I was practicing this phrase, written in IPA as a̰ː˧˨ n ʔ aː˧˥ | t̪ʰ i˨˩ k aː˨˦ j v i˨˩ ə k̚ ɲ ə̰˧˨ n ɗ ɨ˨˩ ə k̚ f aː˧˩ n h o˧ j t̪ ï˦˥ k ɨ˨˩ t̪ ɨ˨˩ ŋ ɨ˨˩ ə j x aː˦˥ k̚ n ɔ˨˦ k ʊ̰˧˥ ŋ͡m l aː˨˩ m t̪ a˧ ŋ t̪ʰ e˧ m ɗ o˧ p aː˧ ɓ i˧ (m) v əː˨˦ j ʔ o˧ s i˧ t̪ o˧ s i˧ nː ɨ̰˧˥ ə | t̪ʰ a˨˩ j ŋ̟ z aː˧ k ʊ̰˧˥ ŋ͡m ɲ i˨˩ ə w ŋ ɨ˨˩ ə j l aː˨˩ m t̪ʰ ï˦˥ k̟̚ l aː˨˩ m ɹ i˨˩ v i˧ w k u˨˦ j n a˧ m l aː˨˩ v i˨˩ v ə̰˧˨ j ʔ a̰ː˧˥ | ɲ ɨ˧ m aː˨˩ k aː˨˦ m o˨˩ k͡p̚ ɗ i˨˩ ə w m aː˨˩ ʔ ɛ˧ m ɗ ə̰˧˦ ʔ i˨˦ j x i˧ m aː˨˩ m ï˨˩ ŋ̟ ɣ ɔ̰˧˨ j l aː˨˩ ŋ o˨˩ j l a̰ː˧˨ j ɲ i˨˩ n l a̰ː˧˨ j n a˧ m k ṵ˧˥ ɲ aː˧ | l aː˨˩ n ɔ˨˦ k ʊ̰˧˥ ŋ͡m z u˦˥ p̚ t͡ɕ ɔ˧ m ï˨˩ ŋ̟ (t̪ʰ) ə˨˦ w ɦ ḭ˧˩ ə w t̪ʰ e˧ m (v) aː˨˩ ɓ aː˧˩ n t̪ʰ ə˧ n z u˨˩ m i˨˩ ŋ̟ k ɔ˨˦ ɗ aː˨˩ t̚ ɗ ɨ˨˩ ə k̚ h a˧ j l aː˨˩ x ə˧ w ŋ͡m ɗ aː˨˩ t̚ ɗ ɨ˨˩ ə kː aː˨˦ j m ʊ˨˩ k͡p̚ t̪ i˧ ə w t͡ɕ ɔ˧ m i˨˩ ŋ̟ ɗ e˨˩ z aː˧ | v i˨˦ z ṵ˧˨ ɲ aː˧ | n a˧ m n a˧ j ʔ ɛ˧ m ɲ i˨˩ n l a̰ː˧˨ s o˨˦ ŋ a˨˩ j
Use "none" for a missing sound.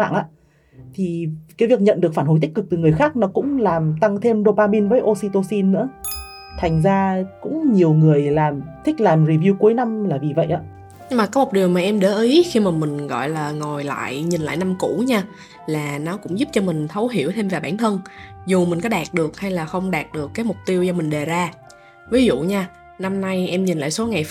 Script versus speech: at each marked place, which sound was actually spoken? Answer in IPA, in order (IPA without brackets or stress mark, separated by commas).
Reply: n, t̪ʰ, v